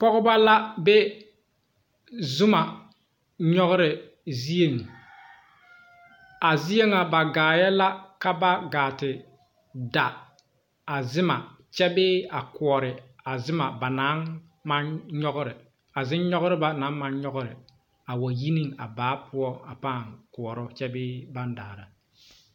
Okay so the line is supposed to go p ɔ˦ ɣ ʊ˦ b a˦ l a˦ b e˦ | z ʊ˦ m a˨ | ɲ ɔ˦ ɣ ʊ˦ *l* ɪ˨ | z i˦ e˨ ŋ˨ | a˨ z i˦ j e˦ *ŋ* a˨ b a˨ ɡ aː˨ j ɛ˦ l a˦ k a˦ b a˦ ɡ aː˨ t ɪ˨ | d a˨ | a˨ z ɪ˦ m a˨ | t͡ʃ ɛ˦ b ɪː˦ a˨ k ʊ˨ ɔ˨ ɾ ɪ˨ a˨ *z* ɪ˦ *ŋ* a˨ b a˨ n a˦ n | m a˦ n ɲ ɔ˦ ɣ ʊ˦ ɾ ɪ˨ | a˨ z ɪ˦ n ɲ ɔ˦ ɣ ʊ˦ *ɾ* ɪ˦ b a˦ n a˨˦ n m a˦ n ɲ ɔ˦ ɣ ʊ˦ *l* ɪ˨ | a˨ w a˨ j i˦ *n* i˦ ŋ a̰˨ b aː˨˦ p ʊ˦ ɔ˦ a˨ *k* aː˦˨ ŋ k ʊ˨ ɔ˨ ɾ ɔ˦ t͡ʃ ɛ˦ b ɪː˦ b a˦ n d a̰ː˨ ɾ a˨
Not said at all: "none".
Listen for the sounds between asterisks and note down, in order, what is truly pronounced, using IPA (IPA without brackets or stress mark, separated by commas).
ɾ, ŋ, z, m, ɾ, ɾ, n, p